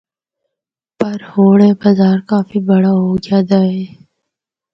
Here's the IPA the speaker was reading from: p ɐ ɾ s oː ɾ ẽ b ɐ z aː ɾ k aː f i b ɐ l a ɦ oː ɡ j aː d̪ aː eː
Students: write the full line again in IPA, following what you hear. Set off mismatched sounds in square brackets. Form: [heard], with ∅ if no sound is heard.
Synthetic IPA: p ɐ ɾ [h] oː [ɽ] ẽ b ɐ z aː ɾ k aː f i b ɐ [ɽ] a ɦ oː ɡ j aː d̪ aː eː